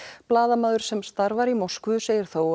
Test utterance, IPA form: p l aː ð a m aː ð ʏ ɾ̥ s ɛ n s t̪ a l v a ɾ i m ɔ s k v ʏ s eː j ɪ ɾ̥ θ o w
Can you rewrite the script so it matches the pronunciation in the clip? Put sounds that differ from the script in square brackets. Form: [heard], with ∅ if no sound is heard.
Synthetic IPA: p l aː ð a m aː ð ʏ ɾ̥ s ɛ [m] s t̪ a [ɾ] v a ɾ i m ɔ s k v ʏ s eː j ɪ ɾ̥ θ o w